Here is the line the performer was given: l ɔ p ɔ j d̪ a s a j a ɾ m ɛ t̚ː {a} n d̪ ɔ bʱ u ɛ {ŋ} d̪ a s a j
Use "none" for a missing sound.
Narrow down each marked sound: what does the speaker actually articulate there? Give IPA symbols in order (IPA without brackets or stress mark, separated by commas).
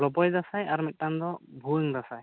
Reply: a, ŋ